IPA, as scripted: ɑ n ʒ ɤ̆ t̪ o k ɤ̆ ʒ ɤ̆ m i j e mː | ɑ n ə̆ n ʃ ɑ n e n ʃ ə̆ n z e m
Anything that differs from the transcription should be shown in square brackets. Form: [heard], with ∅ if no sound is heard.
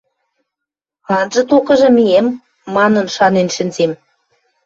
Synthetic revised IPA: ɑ n ʒ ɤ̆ t̪ o k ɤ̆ ʒ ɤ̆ m i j e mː | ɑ n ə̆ n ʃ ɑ n e n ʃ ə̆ n z e m